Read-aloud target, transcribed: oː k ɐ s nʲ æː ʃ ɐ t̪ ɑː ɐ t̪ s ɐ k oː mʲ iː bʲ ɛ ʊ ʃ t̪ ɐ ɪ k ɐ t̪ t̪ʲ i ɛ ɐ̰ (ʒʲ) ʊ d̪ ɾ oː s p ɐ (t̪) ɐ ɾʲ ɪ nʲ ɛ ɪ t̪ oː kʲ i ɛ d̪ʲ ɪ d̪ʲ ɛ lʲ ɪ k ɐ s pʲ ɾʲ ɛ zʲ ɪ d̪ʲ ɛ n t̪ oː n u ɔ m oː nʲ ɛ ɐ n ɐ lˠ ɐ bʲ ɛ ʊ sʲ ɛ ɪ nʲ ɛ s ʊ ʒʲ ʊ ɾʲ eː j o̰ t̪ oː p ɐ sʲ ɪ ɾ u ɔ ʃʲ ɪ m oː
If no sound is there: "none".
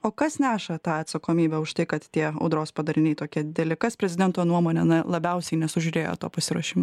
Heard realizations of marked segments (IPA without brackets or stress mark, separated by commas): none, d̪